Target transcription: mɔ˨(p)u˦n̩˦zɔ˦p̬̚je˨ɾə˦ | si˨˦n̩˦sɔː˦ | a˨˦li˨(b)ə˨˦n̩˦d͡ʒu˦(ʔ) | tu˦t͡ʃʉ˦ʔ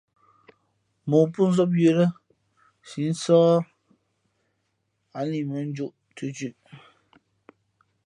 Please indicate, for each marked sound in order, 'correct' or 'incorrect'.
correct, incorrect, correct

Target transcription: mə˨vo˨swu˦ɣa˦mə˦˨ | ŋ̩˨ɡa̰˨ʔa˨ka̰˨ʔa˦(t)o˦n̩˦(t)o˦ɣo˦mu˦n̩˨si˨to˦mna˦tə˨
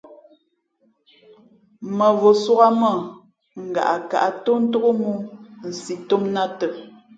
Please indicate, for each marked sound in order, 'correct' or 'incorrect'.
correct, correct

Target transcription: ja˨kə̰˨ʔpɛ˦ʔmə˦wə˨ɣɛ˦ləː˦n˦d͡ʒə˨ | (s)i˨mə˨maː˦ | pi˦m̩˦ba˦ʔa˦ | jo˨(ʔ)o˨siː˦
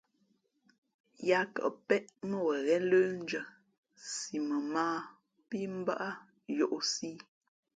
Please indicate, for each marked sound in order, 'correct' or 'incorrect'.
correct, correct

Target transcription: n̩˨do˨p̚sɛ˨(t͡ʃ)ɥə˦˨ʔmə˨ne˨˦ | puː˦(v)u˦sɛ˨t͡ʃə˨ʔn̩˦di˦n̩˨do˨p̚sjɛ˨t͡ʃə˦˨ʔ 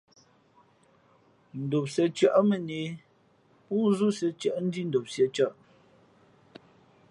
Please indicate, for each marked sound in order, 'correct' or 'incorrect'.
correct, incorrect

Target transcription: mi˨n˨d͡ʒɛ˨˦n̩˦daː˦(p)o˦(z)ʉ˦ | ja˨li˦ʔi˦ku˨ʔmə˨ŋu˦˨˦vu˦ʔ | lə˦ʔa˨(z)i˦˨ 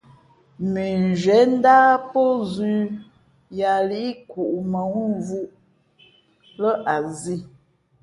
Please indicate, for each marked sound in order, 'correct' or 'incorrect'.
correct, correct, correct

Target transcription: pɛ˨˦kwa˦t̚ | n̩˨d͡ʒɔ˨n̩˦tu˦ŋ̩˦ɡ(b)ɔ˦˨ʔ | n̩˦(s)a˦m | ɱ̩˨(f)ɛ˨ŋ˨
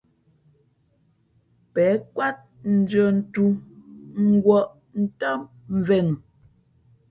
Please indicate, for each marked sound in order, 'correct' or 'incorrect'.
incorrect, incorrect, incorrect

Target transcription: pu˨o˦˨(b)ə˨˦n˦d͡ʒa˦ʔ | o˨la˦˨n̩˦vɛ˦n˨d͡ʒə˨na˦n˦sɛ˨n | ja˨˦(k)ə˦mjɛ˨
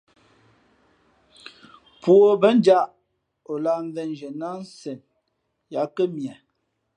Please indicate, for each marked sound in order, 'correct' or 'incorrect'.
correct, correct

